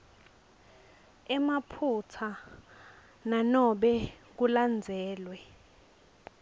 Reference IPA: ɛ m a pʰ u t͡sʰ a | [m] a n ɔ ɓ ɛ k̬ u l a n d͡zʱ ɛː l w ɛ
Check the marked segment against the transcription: incorrect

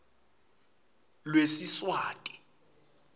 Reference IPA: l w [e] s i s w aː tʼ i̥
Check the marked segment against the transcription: correct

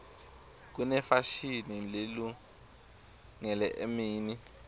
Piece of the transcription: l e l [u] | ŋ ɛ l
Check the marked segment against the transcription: correct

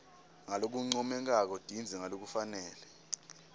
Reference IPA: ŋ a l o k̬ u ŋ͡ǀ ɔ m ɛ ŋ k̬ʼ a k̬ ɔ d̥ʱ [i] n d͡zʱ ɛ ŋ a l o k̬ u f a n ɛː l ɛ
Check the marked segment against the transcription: correct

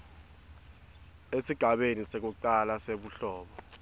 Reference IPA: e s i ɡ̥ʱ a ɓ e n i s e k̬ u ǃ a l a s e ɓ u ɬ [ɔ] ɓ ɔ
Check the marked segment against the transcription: incorrect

